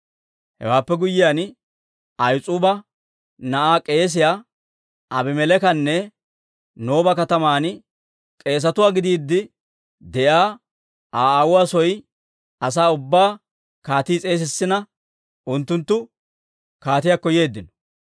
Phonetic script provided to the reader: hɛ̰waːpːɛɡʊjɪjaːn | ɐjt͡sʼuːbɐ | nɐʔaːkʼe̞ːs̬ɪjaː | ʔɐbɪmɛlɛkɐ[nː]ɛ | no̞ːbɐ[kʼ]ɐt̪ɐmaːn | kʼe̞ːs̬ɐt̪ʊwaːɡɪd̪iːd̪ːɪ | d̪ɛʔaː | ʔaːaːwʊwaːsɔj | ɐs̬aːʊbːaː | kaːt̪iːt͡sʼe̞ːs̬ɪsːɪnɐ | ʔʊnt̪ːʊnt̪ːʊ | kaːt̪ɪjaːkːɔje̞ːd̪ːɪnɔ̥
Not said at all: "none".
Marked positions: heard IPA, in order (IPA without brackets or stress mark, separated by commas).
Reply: nː, k